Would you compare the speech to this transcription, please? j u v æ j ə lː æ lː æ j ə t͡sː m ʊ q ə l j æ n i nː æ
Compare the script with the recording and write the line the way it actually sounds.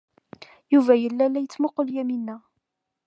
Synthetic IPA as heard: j u v æ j ə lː æ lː æ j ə t͡sː m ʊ q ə l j æ m i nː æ